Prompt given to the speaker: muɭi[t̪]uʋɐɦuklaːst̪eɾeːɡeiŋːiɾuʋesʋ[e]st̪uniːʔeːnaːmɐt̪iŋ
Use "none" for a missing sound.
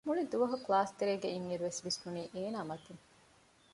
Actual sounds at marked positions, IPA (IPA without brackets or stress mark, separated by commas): d̪, i